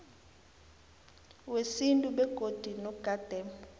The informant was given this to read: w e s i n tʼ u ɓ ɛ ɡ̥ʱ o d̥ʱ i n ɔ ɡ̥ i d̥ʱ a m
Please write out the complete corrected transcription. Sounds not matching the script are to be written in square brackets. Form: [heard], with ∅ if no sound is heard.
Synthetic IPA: w e s i n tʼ u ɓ ɛ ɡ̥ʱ o d̥ʱ i n ɔ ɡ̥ [a] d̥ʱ [ɛ] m